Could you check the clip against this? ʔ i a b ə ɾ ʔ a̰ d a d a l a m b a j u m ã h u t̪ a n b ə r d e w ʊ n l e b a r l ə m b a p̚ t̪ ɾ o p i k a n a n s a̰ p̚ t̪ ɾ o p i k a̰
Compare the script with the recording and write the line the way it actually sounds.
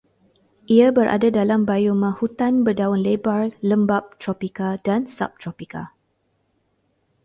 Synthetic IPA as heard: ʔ i a b ə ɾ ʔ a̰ d a d a l a m b a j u m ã h u t̪ a n b ə r d a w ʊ n l e b a r l ə m b a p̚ t̪ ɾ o p i k a d a n s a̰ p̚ t̪ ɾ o p i k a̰